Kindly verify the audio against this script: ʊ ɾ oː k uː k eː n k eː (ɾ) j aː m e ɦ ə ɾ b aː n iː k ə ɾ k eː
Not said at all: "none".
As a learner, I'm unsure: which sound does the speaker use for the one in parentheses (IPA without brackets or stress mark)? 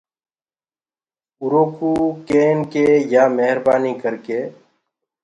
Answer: none